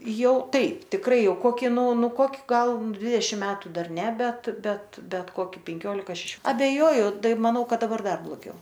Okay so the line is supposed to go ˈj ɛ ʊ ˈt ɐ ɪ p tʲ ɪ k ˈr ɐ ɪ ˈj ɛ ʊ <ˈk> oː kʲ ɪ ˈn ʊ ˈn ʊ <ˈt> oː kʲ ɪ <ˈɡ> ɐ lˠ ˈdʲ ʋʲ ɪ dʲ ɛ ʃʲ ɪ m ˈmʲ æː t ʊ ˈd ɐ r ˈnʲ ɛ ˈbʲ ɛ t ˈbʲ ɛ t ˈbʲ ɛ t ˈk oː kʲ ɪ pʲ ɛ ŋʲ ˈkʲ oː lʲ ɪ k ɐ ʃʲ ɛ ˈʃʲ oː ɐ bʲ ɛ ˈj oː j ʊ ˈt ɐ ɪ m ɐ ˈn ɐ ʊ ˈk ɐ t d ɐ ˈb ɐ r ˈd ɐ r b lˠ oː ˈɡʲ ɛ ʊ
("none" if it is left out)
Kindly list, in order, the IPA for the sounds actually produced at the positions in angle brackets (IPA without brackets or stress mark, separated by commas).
k, k, ɡ